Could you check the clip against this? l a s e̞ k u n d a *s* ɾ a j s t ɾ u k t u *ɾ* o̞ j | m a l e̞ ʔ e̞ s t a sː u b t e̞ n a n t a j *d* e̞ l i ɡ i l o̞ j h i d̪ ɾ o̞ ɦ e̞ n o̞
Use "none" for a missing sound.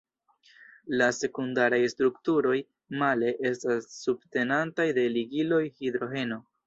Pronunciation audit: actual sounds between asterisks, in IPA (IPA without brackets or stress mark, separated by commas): none, ɾ, d